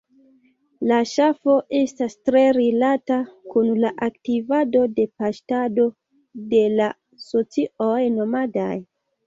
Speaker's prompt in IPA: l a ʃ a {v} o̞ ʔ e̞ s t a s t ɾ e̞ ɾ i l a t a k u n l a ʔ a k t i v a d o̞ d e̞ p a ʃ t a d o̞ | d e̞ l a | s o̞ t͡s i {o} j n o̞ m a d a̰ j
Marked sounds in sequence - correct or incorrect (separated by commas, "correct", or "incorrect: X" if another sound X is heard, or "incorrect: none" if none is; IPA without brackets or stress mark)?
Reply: incorrect: f, correct